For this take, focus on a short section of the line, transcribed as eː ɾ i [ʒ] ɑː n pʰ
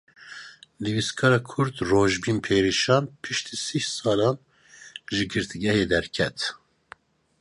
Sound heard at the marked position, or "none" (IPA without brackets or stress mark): ʃ